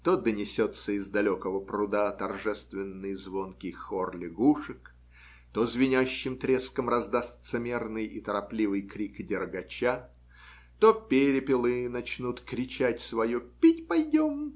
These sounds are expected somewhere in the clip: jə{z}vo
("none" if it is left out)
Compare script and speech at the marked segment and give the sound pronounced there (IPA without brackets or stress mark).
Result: z